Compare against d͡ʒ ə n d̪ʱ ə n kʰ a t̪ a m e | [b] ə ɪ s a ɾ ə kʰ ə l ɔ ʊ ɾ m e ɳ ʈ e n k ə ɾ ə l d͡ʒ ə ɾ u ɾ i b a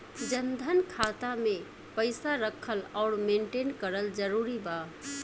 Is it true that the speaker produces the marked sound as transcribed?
no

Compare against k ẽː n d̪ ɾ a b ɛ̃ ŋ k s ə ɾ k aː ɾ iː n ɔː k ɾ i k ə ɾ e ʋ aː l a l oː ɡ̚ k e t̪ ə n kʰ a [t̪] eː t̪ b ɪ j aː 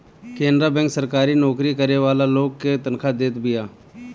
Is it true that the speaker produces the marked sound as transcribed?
no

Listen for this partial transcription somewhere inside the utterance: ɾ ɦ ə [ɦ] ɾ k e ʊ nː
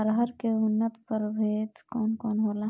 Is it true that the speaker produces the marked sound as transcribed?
no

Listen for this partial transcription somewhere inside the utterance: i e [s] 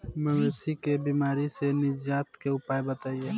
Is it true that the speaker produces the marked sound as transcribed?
no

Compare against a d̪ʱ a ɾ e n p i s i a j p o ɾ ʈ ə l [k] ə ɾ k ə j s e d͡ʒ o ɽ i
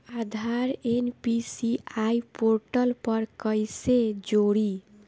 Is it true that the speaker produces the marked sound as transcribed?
no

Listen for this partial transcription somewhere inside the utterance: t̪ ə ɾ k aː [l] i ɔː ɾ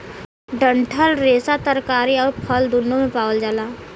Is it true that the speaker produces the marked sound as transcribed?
no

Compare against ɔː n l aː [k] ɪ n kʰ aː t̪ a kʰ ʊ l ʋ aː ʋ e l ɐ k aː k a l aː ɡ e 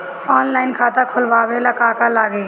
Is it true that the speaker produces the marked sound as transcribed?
no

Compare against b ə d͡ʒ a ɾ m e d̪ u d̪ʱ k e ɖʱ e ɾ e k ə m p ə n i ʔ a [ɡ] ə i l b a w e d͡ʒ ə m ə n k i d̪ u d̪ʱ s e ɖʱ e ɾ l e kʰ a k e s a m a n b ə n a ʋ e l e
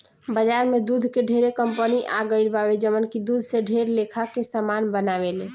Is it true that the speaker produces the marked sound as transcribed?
yes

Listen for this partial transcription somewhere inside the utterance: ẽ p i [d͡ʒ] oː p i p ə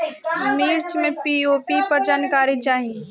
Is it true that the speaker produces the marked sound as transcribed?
no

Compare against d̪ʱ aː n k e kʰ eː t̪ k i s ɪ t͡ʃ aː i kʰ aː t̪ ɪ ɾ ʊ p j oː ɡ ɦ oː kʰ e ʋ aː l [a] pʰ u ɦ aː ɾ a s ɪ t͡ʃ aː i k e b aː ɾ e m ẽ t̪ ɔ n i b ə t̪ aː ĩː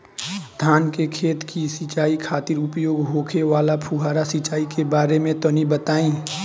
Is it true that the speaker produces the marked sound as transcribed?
yes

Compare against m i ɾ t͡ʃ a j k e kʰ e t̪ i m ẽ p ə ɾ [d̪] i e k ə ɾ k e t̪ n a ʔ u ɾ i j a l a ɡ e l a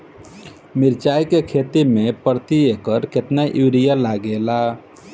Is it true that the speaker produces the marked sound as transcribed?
no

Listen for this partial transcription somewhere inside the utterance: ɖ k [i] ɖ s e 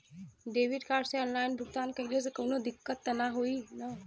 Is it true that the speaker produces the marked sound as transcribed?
no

